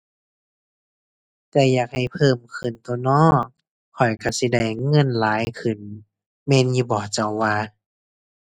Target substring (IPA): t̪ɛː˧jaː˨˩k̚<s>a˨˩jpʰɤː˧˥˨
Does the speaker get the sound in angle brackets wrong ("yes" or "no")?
yes